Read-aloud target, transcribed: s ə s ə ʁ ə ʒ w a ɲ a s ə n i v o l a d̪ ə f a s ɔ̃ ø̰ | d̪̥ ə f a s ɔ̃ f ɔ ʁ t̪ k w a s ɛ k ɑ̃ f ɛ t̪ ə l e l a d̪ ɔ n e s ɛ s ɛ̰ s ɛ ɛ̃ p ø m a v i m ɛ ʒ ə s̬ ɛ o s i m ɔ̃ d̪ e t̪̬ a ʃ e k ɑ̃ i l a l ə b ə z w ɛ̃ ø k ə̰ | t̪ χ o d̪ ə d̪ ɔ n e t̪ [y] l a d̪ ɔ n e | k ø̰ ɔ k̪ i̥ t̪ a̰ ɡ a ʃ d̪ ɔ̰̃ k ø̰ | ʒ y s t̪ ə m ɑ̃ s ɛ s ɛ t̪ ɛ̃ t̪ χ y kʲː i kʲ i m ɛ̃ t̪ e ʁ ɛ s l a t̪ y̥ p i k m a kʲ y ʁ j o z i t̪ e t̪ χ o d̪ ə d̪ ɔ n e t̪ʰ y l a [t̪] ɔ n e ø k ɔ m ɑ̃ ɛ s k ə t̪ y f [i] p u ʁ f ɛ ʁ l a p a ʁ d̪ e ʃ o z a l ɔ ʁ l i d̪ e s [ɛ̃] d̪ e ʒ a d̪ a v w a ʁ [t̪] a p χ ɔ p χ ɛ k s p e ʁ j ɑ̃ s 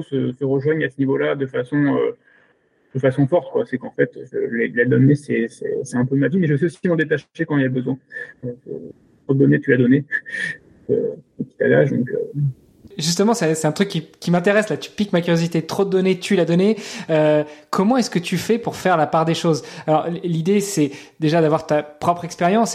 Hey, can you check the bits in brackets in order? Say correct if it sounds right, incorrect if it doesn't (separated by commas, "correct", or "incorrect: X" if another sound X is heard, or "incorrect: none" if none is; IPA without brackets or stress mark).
correct, incorrect: d̪, incorrect: ɛ, incorrect: ɛ, correct